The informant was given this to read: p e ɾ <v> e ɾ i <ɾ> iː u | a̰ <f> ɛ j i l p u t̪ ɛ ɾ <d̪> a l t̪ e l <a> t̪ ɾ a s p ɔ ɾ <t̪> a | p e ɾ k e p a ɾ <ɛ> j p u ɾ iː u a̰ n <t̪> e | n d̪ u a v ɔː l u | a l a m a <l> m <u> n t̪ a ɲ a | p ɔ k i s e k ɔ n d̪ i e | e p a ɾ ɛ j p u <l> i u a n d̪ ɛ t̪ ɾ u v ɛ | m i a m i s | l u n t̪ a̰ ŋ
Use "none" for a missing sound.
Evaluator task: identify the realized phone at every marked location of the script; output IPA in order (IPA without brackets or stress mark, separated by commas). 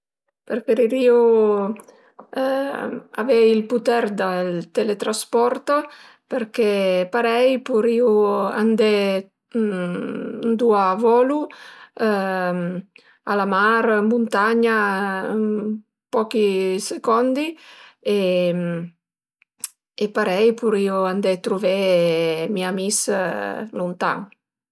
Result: f, ɾ, v, d̪, e, t̪, ɛ, d̪, ɾ, u, ɾ